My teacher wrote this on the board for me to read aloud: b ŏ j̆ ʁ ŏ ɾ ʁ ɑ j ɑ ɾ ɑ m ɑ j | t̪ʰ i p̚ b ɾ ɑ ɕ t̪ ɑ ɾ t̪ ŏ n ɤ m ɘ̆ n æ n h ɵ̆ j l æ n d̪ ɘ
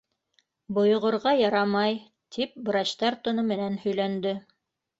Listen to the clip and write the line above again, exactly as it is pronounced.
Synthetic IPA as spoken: b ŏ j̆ ʁ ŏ ɾ ʁ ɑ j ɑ ɾ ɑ m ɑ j | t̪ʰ i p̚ b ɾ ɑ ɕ t̪ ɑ ɾ t̪ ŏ n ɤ m ɘ̆ n æ n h ɵ̆ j l æ n d̪ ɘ